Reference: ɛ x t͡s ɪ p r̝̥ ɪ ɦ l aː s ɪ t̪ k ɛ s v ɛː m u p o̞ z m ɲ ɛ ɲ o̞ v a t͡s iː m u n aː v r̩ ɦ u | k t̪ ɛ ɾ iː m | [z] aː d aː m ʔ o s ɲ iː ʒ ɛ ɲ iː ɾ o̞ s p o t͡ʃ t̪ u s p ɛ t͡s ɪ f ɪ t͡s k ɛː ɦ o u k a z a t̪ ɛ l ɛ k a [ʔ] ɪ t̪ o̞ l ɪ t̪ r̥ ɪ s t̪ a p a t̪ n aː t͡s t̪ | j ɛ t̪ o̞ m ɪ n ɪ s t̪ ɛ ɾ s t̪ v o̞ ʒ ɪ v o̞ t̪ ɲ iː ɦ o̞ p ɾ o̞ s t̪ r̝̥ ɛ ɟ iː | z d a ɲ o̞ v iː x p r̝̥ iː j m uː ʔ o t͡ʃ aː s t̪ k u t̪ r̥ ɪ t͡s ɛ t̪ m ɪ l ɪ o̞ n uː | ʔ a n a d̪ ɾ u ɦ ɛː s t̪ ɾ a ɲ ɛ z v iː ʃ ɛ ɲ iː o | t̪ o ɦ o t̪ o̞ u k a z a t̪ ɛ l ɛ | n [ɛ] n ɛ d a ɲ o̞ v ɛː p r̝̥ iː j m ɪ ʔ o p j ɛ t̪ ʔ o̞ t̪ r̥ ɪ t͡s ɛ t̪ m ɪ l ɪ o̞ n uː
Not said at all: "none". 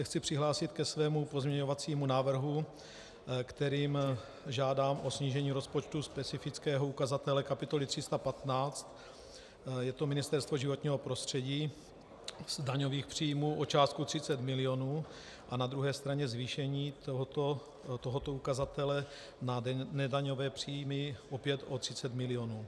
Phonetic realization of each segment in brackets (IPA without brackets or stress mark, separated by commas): ʒ, p, a